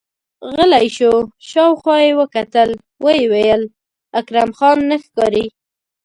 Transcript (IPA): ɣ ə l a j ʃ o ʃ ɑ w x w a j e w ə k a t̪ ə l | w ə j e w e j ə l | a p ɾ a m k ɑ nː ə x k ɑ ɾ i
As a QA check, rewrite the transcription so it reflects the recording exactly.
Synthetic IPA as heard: ɣ ə l a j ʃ o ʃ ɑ w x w ɑ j e w ə k a t̪ ə l | w ə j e w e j ə l | a k ɾ a m x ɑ nː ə x k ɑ ɾ i